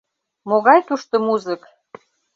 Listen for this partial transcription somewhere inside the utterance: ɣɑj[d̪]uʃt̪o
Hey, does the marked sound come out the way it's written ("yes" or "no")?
no